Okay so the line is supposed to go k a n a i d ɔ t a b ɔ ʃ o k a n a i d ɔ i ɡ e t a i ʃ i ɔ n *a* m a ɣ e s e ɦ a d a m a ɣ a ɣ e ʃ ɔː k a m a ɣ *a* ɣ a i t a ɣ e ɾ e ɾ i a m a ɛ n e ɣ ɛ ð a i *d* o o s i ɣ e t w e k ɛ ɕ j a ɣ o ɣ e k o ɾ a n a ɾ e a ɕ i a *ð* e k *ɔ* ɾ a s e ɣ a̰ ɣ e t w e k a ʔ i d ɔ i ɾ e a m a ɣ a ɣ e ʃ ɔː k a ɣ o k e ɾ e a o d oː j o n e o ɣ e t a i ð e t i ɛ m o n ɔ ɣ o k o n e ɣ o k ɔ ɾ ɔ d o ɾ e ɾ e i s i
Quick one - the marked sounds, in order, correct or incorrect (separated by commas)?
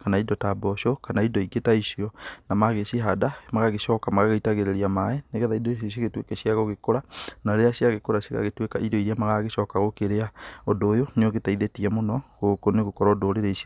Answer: correct, correct, correct, incorrect, incorrect